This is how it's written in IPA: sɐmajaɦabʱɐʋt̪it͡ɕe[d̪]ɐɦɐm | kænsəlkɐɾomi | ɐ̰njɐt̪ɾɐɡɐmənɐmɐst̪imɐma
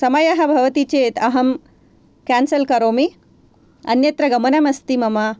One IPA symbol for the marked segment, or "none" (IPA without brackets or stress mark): t̪